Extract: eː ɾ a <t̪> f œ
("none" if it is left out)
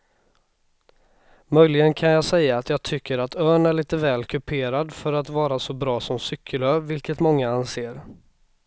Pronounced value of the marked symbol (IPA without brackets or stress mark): d̪